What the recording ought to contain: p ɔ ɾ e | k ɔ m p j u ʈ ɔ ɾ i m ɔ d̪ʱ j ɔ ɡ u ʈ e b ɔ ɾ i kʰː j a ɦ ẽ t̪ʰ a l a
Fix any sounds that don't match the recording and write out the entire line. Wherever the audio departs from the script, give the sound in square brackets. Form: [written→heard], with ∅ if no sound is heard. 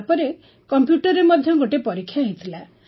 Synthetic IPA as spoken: p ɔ ɾ e | k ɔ m p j u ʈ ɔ ɾ [i→e] m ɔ d̪ʱ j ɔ ɡ [u→o] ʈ e [b→p] ɔ ɾ i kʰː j a ɦ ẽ t̪ʰ [a→i] l a